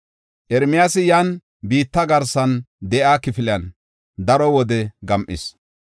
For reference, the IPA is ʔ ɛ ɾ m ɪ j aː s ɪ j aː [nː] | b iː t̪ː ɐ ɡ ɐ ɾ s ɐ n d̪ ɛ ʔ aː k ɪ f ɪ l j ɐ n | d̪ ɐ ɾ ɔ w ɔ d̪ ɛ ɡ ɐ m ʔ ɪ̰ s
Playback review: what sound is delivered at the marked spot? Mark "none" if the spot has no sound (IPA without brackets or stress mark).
n